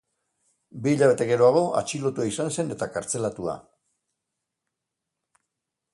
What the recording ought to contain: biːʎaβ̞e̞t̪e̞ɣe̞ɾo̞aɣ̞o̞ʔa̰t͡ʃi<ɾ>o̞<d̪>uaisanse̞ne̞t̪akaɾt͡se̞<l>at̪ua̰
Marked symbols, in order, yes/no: no, no, yes

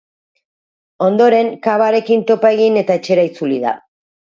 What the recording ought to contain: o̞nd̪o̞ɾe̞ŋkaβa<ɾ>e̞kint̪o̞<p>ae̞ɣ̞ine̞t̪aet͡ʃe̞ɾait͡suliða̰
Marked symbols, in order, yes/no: yes, yes

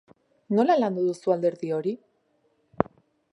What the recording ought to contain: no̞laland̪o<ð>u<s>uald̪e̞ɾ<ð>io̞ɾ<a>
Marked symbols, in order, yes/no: yes, yes, yes, no

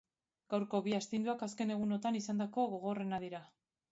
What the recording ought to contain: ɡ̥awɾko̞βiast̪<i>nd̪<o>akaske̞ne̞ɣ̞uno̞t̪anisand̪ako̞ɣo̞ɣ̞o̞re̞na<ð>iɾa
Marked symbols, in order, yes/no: yes, no, yes

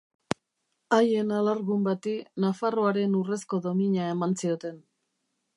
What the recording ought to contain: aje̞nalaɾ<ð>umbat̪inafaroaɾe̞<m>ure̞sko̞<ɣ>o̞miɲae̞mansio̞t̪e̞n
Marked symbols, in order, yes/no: no, no, no

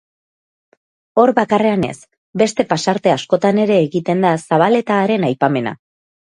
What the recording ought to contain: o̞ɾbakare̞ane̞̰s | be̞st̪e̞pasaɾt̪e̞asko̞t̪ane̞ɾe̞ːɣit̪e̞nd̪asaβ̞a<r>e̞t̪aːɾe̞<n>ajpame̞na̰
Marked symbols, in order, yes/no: no, yes

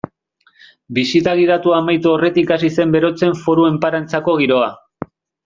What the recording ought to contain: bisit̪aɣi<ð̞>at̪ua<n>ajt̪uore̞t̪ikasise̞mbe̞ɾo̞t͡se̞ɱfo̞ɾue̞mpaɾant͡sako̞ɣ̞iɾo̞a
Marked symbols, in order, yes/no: yes, no

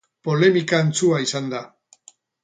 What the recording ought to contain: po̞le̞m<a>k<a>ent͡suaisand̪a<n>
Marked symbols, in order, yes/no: no, yes, no

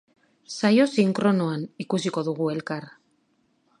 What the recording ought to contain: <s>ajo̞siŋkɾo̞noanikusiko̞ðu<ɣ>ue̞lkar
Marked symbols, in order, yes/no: yes, yes

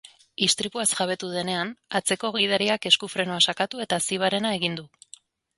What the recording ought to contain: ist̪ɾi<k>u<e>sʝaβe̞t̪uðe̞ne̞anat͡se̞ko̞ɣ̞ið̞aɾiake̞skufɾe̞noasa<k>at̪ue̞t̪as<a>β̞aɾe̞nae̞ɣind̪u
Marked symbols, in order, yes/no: no, no, yes, no

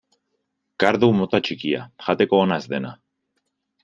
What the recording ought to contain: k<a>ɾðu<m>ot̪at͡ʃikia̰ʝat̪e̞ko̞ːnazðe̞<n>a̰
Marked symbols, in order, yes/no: yes, yes, yes

